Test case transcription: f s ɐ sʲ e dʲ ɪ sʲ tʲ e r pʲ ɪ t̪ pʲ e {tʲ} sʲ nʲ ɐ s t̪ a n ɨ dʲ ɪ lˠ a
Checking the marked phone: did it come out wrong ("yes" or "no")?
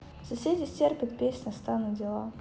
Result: yes